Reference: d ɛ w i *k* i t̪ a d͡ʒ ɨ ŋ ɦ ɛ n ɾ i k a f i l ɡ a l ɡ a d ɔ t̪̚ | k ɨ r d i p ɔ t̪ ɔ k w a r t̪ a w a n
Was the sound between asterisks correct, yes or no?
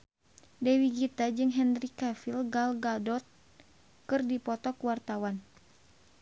no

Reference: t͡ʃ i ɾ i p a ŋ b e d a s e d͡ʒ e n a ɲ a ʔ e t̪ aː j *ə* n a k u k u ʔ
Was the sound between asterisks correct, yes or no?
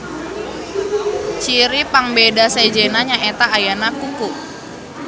no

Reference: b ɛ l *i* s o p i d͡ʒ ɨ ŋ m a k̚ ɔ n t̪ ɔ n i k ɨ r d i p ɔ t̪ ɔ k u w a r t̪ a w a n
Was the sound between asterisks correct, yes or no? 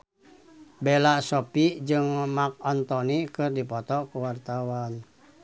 no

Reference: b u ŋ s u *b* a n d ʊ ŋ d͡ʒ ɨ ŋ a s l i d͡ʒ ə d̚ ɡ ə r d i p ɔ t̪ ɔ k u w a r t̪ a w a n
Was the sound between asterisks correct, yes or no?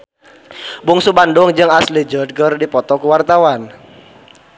yes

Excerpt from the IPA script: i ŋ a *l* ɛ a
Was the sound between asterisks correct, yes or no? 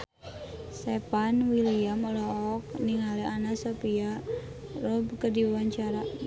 yes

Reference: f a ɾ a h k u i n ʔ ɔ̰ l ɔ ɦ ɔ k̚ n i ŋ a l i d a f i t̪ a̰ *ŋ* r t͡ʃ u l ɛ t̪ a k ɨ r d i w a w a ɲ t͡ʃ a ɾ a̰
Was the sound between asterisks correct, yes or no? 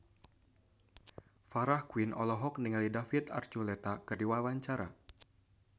no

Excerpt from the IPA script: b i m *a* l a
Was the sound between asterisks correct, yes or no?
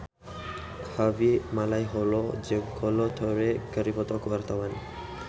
yes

